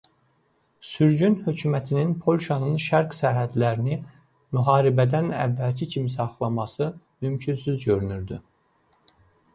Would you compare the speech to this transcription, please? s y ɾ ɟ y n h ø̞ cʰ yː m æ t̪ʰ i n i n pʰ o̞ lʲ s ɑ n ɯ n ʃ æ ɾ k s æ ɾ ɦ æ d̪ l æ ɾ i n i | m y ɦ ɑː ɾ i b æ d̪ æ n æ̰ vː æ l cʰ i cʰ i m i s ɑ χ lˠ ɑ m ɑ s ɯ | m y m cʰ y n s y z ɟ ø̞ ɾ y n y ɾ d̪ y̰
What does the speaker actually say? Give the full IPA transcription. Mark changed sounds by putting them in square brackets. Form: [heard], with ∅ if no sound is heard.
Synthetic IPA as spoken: s y ɾ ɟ y n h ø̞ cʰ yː m æ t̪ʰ i n i n pʰ o̞ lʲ [ʃ] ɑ n ɯ n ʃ æ ɾ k s æ ɾ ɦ æ d̪ l æ ɾ i n i | m y ɦ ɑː ɾ i b æ d̪ æ n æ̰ vː æ l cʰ i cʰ i m i s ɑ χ lˠ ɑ m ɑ s ɯ | m y m cʰ y n s y z ɟ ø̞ ɾ y n y ɾ d̪ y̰